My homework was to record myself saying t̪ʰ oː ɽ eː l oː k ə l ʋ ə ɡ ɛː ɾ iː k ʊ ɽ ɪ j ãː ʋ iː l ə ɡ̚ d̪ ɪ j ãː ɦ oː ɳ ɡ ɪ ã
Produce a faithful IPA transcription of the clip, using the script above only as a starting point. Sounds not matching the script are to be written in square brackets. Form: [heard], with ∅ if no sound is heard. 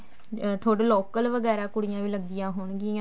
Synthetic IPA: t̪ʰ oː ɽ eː l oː k ə l ʋ ə ɡ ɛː ɾ [aː] k ʊ ɽ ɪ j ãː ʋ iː l ə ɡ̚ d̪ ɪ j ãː ɦ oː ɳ ɡ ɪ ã